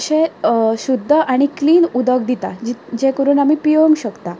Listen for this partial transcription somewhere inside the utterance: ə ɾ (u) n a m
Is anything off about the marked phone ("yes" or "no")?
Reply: yes